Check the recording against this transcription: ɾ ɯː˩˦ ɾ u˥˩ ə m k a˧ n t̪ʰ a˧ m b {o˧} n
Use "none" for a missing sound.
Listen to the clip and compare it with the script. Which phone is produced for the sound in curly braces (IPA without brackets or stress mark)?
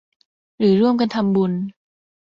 u˧